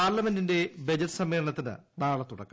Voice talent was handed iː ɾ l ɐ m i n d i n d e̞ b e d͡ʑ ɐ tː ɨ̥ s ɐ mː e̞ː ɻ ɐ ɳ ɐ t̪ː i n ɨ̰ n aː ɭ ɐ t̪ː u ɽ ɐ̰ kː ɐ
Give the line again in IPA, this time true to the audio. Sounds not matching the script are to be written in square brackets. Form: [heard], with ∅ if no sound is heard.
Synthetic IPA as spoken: [aː] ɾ l ɐ m [e] n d i n d e̞ b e d͡ʑ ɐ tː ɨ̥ s ɐ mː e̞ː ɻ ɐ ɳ ɐ t̪ː i n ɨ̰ n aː ɭ ɐ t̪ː u ɽ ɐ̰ kː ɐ